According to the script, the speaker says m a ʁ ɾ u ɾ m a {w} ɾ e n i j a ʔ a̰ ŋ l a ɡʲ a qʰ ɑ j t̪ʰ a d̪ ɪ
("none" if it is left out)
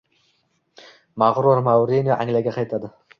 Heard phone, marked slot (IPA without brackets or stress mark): w